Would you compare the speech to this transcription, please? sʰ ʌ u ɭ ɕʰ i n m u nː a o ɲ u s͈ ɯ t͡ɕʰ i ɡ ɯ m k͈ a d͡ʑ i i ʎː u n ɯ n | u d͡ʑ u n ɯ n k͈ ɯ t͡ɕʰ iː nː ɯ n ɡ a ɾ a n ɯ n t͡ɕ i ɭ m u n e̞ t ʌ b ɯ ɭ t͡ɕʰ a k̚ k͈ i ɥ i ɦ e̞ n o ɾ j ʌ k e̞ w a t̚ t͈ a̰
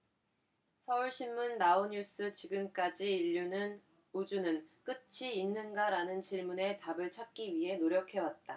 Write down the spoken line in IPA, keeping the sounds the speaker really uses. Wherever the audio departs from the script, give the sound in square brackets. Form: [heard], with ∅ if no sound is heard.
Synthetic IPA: sʰ ʌ u ɭ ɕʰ i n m u nː a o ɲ u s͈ ɯ [t͡ɕ] i ɡ ɯ m k͈ a d͡ʑ i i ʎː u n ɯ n | u d͡ʑ u n ɯ n k͈ ɯ t͡ɕʰ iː nː ɯ n ɡ a ɾ a n ɯ n t͡ɕ i ɭ m u n e̞ t [a] b ɯ ɭ t͡ɕʰ a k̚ k͈ i ɥ i ɦ e̞ n o ɾ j ʌ [kʰ] e̞ w a t̚ t͈ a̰